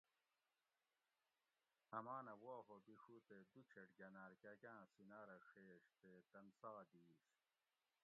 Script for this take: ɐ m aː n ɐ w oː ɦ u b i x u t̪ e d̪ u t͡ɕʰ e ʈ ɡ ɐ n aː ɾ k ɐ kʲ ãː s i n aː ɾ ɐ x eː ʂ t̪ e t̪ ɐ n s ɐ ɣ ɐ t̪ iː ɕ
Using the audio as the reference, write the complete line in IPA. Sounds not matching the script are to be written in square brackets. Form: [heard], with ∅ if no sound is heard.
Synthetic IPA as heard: ɐ m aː n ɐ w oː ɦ [o] b i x u t̪ e d̪ u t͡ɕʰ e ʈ ɡ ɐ n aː ɾ k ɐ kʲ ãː s i n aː ɾ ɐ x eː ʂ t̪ e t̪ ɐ n s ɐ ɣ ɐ [d̪] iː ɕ